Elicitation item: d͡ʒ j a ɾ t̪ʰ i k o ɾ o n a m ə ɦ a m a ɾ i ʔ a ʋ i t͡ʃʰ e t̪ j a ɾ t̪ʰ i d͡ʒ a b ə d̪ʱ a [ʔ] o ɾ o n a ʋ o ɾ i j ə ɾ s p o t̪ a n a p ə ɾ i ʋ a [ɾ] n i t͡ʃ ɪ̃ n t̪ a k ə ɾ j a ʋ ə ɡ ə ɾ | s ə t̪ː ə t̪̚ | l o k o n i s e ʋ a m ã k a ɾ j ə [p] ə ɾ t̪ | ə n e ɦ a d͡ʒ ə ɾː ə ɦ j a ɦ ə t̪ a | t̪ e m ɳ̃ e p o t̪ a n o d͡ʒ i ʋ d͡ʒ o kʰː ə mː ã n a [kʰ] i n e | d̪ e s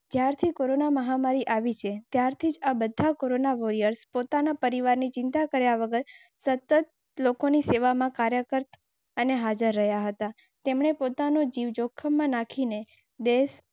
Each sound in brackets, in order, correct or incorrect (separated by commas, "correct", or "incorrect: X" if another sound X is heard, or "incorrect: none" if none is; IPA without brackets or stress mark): incorrect: k, correct, incorrect: k, correct